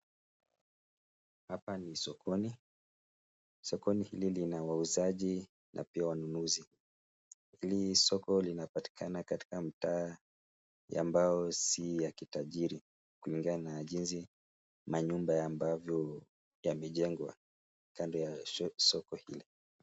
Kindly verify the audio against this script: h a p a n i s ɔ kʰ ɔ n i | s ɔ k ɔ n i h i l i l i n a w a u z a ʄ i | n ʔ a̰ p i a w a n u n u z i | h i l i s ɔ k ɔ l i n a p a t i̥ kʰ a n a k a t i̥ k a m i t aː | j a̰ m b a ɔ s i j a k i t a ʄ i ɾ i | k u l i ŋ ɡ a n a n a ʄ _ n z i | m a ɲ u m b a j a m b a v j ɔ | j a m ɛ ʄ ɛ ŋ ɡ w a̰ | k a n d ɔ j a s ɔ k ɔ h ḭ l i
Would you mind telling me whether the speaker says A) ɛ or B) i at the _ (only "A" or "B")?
B